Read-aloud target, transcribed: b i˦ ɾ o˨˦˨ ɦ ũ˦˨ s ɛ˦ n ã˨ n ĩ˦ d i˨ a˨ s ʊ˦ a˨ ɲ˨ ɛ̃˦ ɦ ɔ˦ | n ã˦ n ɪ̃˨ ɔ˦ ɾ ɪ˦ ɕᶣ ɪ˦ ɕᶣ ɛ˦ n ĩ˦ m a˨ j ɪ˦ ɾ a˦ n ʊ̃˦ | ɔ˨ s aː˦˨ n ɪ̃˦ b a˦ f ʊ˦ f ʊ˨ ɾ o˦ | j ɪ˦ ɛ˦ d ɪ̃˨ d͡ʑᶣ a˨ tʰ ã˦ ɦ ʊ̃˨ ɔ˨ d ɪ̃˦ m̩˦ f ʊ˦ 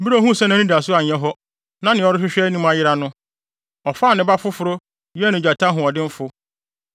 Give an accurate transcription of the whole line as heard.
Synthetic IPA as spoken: b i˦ ɾ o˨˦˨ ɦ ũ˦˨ s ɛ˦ n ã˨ n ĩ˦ d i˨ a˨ s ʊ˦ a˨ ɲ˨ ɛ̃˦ ɦ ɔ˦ | n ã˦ n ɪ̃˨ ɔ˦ ɾ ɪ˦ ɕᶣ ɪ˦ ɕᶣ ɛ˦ n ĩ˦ m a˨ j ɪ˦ ɾ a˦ n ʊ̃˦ | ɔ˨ f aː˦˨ n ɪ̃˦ b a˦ f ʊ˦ f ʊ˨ ɾ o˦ | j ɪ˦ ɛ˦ n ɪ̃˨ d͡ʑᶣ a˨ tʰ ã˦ ɦ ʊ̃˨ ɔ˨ d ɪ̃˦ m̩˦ f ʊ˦

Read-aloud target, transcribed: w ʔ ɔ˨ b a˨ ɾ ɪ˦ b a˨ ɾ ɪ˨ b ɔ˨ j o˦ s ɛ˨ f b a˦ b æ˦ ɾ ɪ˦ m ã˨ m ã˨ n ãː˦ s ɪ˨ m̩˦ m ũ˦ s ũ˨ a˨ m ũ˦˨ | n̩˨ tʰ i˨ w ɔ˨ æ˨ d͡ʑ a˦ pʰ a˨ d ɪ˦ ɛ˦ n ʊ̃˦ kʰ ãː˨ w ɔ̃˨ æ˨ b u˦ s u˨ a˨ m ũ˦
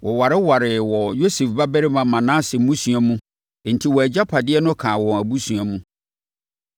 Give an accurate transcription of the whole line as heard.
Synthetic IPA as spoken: w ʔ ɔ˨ w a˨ ɾ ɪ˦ w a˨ ɾ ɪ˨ w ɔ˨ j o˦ s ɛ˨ f b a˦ b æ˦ ɾ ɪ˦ m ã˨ m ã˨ n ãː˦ s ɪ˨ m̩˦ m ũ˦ s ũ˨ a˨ m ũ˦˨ | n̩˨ tʰ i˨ w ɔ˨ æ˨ d͡ʑ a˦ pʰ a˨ d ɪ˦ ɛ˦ n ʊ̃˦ kʰ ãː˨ w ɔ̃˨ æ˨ b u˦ s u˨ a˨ m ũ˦

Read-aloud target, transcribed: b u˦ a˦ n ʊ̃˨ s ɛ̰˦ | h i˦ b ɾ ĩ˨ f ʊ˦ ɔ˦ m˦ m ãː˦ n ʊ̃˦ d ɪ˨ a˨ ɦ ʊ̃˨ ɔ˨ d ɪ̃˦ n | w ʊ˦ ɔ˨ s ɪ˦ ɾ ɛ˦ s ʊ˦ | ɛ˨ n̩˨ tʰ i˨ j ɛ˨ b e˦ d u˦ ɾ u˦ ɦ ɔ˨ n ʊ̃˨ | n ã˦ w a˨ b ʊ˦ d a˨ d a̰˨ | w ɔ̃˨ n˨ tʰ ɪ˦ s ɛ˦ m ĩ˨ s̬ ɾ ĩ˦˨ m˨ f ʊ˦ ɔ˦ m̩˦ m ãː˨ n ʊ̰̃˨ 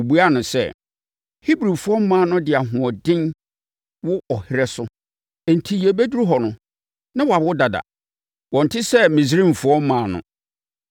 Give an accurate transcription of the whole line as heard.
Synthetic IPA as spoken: b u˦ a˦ n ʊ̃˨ s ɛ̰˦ | h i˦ b ɾ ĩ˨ f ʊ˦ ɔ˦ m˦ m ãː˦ n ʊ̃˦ d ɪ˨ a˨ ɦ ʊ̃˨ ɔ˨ d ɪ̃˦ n | w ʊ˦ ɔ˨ h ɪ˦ ɾ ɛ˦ s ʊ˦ | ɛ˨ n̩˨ tʰ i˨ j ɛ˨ b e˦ d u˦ ɾ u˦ ɦ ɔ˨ n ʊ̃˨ | n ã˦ w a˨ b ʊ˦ d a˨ d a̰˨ | w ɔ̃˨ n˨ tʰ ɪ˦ s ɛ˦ m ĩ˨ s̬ ɾ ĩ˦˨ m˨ f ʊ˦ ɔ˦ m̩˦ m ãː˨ n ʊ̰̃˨

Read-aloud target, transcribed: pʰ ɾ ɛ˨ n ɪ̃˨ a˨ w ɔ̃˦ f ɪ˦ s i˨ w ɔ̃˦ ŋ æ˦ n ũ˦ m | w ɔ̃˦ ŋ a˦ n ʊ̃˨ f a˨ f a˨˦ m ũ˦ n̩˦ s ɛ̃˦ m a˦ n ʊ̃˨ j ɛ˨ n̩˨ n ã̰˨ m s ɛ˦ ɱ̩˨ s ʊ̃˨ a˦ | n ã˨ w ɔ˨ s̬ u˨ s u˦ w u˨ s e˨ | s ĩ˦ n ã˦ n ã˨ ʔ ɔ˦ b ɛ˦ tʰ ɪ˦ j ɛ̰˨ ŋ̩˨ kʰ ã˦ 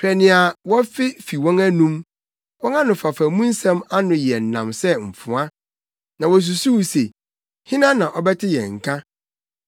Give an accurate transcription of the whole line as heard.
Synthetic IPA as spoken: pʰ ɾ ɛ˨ n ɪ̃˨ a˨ w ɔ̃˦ f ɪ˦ f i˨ w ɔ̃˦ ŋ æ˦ n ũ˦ m | w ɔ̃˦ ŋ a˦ n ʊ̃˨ f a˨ f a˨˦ m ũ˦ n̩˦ s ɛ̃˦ m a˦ n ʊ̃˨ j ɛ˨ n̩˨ n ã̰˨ m s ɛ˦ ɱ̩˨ f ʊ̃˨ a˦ | n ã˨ w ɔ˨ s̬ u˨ s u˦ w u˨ s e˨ | h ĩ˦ n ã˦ n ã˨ ʔ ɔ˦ b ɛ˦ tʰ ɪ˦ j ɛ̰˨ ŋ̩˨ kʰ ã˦

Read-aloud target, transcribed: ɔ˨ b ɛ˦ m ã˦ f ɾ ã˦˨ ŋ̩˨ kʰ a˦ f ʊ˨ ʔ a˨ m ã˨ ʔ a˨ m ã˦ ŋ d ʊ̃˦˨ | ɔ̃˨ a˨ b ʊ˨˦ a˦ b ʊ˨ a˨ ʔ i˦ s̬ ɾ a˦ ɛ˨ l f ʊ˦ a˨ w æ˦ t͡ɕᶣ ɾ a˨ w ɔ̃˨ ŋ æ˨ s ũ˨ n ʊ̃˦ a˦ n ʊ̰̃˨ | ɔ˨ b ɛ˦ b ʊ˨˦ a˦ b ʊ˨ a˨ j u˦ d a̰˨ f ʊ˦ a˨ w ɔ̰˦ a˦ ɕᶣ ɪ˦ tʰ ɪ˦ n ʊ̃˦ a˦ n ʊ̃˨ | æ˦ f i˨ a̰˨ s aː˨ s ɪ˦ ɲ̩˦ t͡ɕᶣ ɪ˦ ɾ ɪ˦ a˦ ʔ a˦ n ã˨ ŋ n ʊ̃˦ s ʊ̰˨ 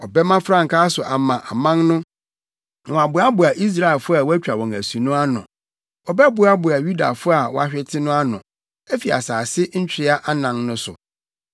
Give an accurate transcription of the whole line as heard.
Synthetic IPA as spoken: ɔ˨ b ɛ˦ m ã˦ f ɾ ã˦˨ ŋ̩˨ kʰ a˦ s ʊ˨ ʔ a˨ m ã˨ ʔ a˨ m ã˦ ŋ n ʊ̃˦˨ | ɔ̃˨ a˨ b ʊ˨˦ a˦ b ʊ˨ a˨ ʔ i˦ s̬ ɾ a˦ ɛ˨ l f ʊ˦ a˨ w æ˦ t͡ɕᶣ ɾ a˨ w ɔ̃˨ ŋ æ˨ s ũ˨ n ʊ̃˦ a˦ n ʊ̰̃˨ | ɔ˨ b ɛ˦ b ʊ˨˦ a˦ b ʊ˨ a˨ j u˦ d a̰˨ f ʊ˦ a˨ w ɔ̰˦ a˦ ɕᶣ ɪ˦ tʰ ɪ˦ n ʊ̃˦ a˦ n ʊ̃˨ | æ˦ f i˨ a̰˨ s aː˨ s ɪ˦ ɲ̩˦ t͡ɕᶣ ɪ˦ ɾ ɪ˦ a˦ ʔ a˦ n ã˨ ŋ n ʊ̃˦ s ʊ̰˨

